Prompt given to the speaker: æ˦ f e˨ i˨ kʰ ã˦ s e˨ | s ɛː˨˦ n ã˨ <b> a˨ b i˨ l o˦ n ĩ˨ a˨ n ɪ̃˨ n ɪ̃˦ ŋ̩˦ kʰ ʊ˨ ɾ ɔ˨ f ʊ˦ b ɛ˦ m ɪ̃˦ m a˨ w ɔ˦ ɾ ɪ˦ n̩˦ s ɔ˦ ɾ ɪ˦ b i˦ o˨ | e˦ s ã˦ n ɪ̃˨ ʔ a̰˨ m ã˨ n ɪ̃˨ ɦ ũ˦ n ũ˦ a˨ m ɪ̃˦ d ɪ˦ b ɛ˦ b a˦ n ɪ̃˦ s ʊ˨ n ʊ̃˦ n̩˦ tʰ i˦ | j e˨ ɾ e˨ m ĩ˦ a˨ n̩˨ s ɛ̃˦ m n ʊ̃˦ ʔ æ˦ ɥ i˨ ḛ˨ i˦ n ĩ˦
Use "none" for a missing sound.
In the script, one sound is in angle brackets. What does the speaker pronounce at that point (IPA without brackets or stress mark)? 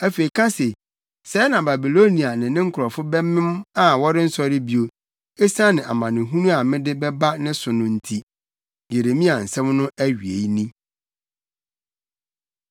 b